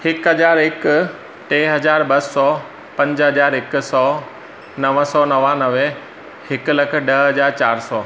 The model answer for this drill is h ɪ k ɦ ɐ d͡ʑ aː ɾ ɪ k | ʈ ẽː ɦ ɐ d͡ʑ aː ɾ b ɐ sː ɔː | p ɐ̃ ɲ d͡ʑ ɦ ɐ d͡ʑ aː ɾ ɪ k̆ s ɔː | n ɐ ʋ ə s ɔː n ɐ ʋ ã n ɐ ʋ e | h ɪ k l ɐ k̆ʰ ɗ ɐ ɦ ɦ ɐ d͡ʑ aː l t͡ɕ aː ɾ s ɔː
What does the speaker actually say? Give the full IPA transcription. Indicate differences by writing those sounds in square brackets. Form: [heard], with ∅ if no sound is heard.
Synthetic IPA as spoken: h ɪ k ɦ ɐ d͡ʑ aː ɾ ɪ k | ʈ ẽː ɦ ɐ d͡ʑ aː ɾ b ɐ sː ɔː | p ɐ̃ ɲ d͡ʑ ɦ ɐ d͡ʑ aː ɾ ɪ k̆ s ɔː | n ɐ ʋ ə s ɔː n ɐ ʋ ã n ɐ ʋ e | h ɪ k l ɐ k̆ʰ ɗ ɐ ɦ ɦ ɐ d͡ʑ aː [ɾ] t͡ɕ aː ɾ s ɔː